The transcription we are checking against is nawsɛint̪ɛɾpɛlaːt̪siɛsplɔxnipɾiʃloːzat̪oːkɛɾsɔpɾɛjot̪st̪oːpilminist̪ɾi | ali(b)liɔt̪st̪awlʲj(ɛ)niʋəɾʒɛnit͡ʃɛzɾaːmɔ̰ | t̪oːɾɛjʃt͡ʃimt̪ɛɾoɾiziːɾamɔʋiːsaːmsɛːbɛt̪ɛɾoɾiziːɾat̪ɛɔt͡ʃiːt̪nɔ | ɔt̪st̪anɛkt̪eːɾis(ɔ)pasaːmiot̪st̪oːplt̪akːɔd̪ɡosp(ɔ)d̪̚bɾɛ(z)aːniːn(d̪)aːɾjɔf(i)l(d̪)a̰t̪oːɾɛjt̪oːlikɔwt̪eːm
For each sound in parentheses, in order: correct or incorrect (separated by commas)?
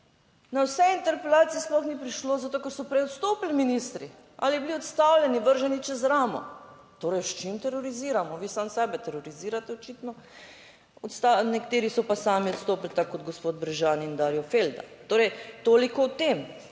correct, correct, correct, incorrect, incorrect, correct, incorrect, correct